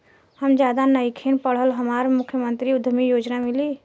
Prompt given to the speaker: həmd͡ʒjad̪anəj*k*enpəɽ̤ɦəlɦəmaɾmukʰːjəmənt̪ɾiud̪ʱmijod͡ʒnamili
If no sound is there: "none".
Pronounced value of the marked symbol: kʰ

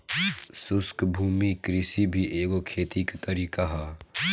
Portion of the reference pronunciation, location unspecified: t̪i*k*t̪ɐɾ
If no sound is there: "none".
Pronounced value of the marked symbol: k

